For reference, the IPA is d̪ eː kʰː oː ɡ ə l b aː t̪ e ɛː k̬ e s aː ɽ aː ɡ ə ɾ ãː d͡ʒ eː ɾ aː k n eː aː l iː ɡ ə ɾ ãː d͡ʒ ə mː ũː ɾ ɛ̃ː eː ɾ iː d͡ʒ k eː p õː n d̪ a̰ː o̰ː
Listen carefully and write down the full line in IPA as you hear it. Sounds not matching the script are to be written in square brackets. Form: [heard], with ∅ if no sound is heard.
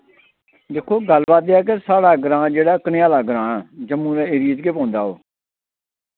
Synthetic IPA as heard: d̪ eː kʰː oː ɡ ə l b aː t̪ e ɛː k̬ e s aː ɽ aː ɡ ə ɾ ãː d͡ʒ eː [ɽ] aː k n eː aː l [aː] ɡ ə ɾ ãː d͡ʒ ə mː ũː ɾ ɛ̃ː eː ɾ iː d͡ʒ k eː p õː n d̪ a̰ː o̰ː